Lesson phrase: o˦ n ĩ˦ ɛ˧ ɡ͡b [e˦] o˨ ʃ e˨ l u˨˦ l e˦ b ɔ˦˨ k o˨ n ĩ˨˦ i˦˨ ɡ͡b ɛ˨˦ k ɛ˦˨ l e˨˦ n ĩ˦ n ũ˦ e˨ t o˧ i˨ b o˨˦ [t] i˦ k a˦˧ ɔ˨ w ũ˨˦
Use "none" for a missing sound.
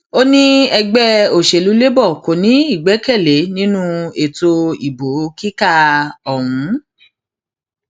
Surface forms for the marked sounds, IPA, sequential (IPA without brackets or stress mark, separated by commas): ɛ˦, k